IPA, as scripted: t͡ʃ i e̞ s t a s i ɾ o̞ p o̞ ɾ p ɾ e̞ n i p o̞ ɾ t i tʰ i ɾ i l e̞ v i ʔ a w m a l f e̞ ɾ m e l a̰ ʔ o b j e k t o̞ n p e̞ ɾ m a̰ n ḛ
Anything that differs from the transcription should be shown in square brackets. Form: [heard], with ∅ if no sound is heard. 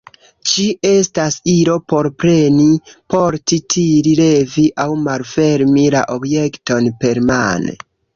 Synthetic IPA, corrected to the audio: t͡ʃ i e̞ s t a s i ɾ o̞ p o̞ ɾ p ɾ e̞ n i p o̞ ɾ t i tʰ i ɾ i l e̞ v i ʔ a w m a l f e̞ ɾ m [i] l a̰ ʔ o b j e k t o̞ n p e̞ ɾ m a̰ n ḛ